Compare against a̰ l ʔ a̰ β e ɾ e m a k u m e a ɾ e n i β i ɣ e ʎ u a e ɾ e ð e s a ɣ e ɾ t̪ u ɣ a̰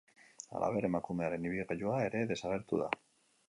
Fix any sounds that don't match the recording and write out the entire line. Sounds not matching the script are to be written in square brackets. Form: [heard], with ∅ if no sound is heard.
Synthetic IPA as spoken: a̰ l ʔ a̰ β e ɾ e m a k u m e a ɾ e n i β i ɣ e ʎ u a e ɾ e ð e s a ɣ e ɾ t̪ u [ð] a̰

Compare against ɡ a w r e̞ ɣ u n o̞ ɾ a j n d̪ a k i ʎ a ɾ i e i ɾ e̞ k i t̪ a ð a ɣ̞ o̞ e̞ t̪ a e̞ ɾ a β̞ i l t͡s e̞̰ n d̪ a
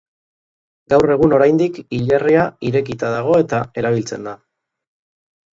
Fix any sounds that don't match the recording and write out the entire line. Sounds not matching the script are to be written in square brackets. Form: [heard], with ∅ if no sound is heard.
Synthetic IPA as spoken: ɡ a w r e̞ ɣ u n o̞ ɾ a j n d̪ [i] k i ʎ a [r] i [a] i ɾ e̞ k i t̪ a ð a ɣ̞ o̞ e̞ t̪ a e̞ ɾ a β̞ i l t͡s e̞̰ n d̪ a

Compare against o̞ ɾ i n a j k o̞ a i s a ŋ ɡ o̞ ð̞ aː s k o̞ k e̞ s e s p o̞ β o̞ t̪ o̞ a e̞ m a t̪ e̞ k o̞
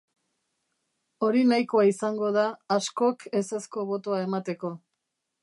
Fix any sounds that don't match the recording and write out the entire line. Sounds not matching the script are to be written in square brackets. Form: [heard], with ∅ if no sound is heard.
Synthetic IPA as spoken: o̞ ɾ i n a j k o̞ a i s a ŋ ɡ o̞ ð̞ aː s k o̞ k e̞ s e s [k] o̞ β o̞ t̪ o̞ a e̞ m a t̪ e̞ k o̞

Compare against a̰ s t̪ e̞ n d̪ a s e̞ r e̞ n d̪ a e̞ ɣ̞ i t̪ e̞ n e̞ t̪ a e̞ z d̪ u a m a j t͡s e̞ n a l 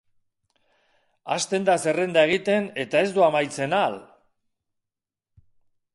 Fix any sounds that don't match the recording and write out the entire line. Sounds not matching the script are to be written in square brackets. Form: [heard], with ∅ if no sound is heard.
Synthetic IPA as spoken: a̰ s t̪ e̞ n d̪ a s e̞ r e̞ n d̪ a e̞ ɣ̞ i t̪ e̞ n e̞ t̪ a e̞ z d̪ u a m a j t͡s e̞ n a l

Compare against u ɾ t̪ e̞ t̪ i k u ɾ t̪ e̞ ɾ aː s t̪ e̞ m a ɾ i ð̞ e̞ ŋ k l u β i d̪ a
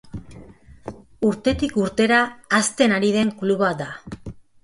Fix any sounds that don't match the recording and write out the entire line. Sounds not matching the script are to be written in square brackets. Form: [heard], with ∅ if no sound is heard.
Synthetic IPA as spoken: u ɾ t̪ e̞ t̪ i k u ɾ t̪ e̞ ɾ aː s t̪ e̞ [n] a ɾ i ð̞ e̞ ŋ k l u β [a] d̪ a

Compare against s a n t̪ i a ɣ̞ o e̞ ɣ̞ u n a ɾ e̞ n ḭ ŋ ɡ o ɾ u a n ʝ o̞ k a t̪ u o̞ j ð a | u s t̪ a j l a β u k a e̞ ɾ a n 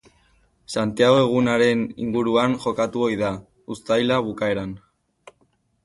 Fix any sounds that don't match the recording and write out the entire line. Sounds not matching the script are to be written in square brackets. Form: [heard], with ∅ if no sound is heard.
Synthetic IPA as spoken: s a n t̪ i a ɣ̞ o e̞ ɣ̞ u n a ɾ e̞ n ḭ ŋ ɡ [u] ɾ u a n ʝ o̞ k a t̪ u o̞ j ð a | u s t̪ a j l a β u k a e̞ ɾ a n

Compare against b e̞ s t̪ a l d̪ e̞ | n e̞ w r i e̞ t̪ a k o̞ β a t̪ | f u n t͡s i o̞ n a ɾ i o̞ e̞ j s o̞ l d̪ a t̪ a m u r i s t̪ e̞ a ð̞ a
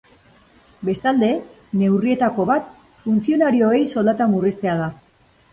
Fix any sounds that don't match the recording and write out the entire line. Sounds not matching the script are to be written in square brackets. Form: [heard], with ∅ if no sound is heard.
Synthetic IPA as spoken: b e̞ s t̪ a l d̪ e̞ | n e̞ w r i e̞ t̪ a k o̞ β a t̪ | f u n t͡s i o̞ n a ɾ i o̞ e̞ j s o̞ l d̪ a t̪ a m u r i s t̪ e̞ a ð̞ a

